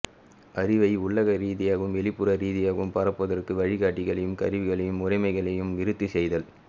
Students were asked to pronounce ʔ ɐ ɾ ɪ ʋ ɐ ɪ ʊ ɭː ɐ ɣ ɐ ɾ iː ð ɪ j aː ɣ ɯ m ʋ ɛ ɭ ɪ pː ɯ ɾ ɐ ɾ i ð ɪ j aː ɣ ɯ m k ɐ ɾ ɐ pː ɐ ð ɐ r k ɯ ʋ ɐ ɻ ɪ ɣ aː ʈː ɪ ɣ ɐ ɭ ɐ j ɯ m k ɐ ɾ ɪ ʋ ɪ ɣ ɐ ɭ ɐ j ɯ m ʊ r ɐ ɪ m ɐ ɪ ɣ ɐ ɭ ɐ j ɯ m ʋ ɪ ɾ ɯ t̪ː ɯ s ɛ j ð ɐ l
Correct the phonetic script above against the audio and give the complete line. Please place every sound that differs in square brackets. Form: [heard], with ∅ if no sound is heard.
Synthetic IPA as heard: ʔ ɐ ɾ ɪ ʋ ɐ ɪ ʊ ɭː ɐ ɣ ɐ ɾ iː ð ɪ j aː ɣ ɯ m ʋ ɛ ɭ ɪ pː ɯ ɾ ɐ ɾ [iː] ð ɪ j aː ɣ ɯ m [p] ɐ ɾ ɐ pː ɐ ð ɐ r k ɯ ʋ ɐ ɻ ɪ ɣ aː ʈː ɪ ɣ ɐ ɭ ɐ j ɯ m k ɐ ɾ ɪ ʋ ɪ ɣ ɐ ɭ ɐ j ɯ m ʊ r ɐ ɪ m ɐ ɪ ɣ ɐ ɭ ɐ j ɯ m ʋ ɪ ɾ ɯ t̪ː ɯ s ɛ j ð ɐ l